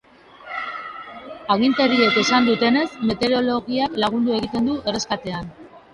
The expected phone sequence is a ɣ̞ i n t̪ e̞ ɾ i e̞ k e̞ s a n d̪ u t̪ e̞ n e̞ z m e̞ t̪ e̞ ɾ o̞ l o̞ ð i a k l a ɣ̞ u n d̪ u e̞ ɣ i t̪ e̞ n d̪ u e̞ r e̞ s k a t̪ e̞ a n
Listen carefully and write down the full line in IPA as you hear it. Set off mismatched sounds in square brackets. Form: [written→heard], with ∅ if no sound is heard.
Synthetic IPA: a ɣ̞ i n t̪ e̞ ɾ i e̞ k e̞ s a n d̪ u t̪ e̞ n e̞ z m e̞ t̪ e̞ ɾ o̞ l o̞ [ð→ɣ] i a k l a ɣ̞ u n d̪ u e̞ ɣ i t̪ e̞ n d̪ u e̞ r e̞ s k a t̪ e̞ a n